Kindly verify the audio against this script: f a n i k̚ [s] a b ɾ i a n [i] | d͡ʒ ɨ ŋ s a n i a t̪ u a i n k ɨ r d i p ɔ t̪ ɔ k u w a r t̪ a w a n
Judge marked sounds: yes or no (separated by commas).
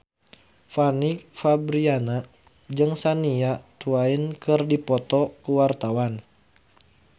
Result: no, no